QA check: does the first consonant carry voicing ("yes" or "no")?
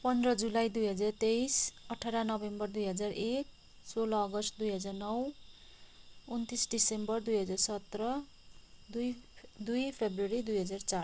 no